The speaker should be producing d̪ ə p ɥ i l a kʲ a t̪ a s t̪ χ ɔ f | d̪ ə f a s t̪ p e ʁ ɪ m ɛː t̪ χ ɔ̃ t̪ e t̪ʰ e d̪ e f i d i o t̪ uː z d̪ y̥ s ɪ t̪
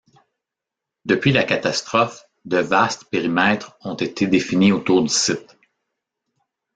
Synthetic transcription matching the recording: d̪ ə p ɥ i l a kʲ a t̪ a s t̪ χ ɔ f | d̪ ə v a s t̪ p e ʁ i m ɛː t̪ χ ɔ̃ t̪ e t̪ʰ e d̪ e f i n i o t̪ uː ʁ d̪ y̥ s ɪ t̪